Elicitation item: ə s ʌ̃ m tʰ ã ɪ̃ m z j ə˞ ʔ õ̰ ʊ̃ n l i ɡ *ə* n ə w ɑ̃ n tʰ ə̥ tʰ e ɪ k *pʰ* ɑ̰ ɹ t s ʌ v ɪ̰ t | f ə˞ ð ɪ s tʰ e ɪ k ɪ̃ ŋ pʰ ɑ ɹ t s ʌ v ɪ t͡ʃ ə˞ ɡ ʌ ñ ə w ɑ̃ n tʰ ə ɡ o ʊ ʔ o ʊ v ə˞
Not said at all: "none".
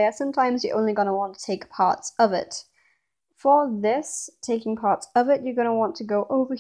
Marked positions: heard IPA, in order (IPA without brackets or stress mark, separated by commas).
ʌ, pʰ